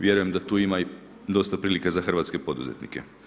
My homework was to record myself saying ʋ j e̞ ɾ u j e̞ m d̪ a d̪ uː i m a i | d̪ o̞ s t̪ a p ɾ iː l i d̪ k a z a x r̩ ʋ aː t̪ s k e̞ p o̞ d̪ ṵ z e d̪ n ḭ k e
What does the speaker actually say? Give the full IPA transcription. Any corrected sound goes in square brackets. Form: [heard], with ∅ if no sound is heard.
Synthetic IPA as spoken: ʋ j e̞ ɾ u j e̞ m d̪ a [t̪] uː i m a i | d̪ o̞ s t̪ a p ɾ iː l i [∅] k a z a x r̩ ʋ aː t̪ s k e̞ p o̞ d̪ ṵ z e [t̪] n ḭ k e